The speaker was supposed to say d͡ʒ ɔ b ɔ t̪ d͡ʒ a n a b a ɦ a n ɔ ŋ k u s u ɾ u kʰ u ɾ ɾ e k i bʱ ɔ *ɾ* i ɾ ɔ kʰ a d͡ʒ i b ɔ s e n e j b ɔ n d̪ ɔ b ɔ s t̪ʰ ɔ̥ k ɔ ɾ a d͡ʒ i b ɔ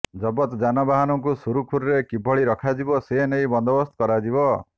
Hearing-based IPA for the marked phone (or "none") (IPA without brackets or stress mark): ɭ